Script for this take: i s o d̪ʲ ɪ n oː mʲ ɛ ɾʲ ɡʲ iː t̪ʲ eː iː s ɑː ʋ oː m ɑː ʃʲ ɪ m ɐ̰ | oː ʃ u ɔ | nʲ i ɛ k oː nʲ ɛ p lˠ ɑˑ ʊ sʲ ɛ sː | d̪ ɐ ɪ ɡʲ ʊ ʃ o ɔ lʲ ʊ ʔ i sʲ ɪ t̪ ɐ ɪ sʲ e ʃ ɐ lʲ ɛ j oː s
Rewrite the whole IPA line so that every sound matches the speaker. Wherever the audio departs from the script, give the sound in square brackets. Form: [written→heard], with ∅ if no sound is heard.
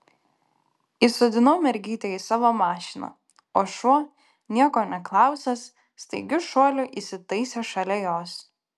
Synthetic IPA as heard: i s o d̪ʲ ɪ n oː mʲ ɛ ɾʲ ɡʲ iː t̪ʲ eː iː s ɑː ʋ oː m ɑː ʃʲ ɪ [m→n] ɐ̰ | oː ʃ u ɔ | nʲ i ɛ k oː nʲ ɛ [p→k] lˠ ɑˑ ʊ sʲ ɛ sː | [d̪→t̪] ɐ ɪ ɡʲ ʊ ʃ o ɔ lʲ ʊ ʔ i sʲ ɪ t̪ ɐ ɪ sʲ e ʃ ɐ lʲ ɛ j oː s